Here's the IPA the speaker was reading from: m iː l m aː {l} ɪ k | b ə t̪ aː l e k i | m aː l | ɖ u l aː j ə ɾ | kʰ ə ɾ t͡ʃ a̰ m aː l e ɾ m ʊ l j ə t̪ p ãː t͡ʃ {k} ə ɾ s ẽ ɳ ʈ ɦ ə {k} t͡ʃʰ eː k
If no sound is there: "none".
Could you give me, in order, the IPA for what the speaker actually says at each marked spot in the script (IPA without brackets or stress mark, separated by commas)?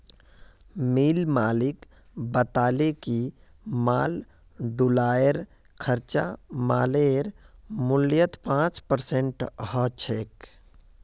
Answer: l, p, none